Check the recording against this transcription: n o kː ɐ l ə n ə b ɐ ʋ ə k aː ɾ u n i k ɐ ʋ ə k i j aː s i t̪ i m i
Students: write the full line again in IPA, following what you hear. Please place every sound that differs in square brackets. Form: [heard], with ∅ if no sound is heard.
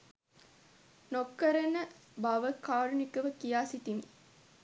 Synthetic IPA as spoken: n o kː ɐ [ɾ] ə n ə b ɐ ʋ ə k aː ɾ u n i k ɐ ʋ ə k i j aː s i t̪ i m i

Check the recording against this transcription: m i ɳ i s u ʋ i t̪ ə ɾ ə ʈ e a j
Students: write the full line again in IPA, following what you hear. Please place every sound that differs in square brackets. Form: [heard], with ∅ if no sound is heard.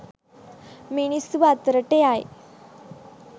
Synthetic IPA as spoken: m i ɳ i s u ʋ [a] t̪ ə ɾ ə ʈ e a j

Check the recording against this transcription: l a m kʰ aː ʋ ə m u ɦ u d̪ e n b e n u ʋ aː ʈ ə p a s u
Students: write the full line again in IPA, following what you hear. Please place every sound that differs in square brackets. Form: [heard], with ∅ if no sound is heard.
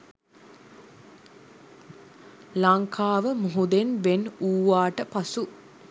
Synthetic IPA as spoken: l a [ŋ] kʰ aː ʋ ə m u ɦ u d̪ e n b e n [uː] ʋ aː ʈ ə p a s u

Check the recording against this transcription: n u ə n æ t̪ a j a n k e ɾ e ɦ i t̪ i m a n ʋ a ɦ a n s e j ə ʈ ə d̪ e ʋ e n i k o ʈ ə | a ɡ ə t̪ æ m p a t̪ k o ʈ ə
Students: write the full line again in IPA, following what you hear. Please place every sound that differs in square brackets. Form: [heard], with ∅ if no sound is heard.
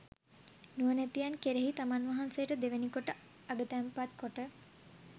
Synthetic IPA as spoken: n u ə n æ t̪ [i] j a n k e ɾ e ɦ i t̪ [a] m a n ʋ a ɦ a n s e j ə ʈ ə d̪ e ʋ e n i k o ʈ ə | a ɡ ə t̪ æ m p a t̪ k o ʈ ə

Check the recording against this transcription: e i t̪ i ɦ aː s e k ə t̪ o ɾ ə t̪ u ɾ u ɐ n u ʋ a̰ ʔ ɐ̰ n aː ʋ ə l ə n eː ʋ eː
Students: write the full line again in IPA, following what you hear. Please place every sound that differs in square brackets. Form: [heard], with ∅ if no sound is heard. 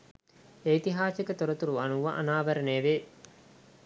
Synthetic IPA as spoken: e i t̪ i ɦ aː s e k ə t̪ o ɾ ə t̪ u ɾ u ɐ n u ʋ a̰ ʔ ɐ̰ n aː ʋ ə [ɾ] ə n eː ʋ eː

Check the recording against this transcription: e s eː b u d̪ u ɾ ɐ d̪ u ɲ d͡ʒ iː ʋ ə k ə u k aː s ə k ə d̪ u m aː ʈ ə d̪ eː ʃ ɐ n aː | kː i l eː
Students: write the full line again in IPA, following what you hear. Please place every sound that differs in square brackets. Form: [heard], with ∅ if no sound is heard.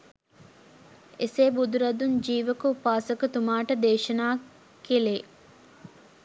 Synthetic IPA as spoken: e s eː b u d̪ u ɾ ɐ d̪ u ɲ d͡ʒ iː ʋ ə k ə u [p] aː s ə k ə [t̪] u m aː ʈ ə d̪ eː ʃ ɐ n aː | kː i l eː

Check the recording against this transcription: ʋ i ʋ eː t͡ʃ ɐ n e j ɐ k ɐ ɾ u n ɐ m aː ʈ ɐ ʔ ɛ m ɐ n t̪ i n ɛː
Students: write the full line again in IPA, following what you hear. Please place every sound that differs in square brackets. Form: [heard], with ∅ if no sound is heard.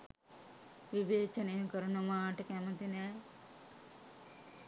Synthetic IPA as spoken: ʋ i ʋ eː t͡ʃ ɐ n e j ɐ k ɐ ɾ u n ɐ m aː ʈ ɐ [k] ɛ m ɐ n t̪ i n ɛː

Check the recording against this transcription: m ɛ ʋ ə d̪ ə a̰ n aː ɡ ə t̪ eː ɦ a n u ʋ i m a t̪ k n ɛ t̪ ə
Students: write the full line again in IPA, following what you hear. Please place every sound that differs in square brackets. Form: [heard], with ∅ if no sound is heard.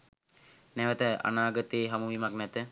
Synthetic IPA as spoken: [n] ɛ ʋ ə [t̪] ə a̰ n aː ɡ ə t̪ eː ɦ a [m] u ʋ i m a [∅] k n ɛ t̪ ə

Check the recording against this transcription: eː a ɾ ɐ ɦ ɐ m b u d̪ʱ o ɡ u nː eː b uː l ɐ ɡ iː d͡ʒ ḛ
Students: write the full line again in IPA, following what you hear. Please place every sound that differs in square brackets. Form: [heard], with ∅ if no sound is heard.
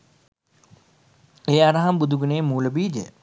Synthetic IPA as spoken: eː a ɾ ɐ ɦ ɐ m b u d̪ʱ [u] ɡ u [n] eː [m] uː l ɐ [b] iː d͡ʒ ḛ

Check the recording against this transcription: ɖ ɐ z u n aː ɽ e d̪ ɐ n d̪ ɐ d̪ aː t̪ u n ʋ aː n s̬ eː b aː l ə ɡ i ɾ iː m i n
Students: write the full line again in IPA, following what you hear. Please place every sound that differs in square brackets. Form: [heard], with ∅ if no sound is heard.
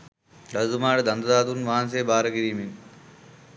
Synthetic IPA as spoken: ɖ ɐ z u [m] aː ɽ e d̪ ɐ n d̪ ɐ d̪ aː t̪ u n ʋ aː n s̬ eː b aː [ɾ] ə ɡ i ɾ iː m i n

